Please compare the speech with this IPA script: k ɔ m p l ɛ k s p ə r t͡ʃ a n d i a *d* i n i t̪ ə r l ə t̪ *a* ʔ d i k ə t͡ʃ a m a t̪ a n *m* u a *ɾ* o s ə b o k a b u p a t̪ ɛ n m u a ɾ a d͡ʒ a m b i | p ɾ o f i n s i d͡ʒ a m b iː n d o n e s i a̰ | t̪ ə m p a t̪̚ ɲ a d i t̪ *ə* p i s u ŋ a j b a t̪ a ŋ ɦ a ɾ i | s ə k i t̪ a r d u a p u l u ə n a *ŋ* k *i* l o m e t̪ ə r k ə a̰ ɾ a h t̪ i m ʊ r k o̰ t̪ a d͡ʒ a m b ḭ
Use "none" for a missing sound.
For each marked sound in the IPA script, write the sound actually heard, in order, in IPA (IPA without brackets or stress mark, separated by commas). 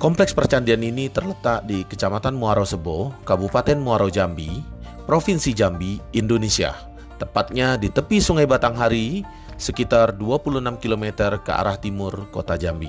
n, a, m, ɾ, ə, m, i